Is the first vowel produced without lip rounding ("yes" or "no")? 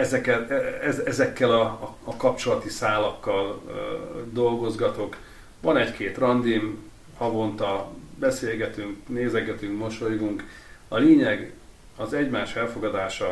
yes